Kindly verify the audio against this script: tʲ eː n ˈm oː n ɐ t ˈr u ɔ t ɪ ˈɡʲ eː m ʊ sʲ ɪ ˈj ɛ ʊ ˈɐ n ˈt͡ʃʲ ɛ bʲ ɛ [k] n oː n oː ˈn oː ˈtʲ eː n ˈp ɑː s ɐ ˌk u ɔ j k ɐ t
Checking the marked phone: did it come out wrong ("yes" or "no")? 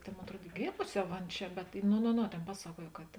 yes